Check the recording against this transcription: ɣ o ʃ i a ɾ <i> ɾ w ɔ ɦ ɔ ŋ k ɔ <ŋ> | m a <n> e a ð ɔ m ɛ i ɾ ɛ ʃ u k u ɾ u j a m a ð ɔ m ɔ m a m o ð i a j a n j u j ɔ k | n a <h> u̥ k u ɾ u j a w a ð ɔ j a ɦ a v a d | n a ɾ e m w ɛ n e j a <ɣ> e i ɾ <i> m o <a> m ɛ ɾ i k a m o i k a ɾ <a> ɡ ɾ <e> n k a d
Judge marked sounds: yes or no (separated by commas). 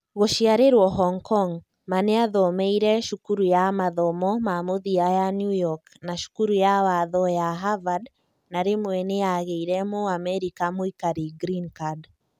no, yes, yes, no, yes, no, yes, no, no